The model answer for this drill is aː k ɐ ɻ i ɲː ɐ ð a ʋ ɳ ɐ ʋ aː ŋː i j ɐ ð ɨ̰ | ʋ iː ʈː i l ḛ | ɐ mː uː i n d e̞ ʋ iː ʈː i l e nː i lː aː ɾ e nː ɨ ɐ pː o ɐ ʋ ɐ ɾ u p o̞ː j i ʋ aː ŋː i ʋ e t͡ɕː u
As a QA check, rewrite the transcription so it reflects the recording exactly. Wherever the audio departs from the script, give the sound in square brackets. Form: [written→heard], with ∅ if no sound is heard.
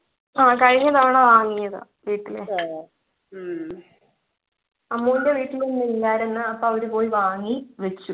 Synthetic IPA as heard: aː k ɐ ɻ i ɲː ɐ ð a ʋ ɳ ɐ ʋ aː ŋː i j ɐ ð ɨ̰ | ʋ iː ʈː i l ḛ | ɐ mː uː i n d e̞ ʋ iː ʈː i l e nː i lː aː ɾ e nː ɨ ɐ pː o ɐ ʋ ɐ ɾ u p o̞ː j i ʋ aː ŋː i ʋ e t͡ɕː u